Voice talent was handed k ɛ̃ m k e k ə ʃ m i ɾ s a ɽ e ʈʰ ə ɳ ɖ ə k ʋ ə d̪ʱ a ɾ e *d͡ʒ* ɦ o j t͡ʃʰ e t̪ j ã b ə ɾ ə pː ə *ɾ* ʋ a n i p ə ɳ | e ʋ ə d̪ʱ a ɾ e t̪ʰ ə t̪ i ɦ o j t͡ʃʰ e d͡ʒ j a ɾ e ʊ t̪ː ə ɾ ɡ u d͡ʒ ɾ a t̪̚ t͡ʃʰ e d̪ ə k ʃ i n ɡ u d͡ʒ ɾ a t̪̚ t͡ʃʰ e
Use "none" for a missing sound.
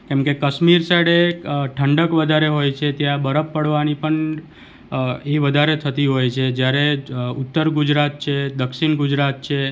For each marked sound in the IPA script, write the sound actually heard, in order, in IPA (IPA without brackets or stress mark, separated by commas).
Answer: none, ɽ